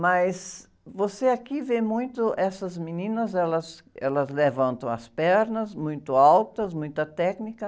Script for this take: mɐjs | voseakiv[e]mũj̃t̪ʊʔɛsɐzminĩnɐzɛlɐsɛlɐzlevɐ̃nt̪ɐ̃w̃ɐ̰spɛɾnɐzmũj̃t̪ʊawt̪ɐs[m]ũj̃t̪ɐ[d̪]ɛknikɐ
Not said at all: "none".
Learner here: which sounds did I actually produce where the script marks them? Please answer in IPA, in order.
e, m, t̪

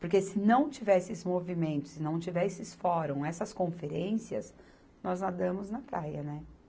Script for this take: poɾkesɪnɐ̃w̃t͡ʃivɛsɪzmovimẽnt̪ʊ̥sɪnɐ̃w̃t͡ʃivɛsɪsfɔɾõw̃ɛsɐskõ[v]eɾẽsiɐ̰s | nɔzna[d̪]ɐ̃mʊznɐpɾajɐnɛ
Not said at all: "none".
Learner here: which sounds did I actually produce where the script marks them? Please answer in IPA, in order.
f, d̪

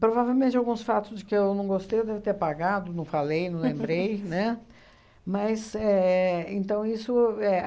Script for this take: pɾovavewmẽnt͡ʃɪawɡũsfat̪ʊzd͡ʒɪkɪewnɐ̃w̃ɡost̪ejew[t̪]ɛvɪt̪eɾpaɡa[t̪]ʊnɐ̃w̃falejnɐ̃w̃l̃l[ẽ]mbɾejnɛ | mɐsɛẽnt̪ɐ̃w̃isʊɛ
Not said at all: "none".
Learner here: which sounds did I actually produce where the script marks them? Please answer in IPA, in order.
d̪, d̪, ẽ

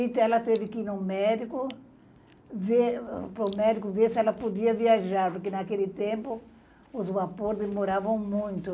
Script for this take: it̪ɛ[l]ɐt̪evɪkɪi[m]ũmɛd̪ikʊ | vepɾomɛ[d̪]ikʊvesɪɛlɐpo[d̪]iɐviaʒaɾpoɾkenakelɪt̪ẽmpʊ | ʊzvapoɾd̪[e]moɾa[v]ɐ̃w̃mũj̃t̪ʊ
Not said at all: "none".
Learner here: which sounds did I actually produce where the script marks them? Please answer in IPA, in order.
l, n, d̪, d̪, e, v

